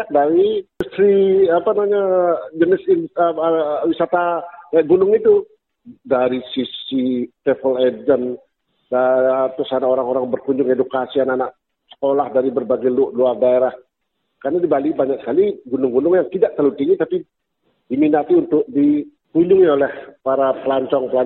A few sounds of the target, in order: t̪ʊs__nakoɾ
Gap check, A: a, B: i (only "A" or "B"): A